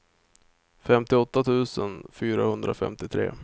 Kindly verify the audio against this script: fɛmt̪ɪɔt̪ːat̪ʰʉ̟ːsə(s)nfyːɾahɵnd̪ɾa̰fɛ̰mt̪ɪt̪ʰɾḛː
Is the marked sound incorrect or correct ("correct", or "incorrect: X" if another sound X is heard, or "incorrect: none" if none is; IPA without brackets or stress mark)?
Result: incorrect: none